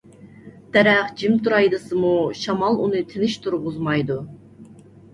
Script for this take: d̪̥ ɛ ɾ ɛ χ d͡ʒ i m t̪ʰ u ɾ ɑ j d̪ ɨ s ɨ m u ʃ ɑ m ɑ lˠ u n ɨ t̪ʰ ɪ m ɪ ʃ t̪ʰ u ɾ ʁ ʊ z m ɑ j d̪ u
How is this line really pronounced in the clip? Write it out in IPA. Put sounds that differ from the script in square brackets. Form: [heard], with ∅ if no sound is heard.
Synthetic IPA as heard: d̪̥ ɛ ɾ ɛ χ d͡ʒ i m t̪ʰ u ɾ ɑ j d̪ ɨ s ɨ m u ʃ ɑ m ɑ lˠ u n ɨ t̪ʰ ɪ [n] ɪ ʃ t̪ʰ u ɾ ʁ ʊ z m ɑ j d̪ u